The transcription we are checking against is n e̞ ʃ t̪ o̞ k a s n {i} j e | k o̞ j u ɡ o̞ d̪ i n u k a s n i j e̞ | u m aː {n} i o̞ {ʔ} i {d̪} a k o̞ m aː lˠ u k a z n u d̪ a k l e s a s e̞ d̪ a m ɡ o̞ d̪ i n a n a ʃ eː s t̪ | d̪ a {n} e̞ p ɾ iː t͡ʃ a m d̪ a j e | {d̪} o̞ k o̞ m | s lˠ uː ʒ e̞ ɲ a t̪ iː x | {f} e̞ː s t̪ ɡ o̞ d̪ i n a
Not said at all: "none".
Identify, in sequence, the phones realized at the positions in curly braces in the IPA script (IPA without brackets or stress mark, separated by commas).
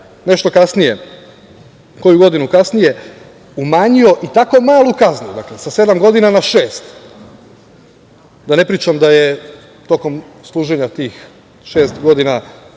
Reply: i, ɲ, ʔ, t̪, n, t̪, ʃ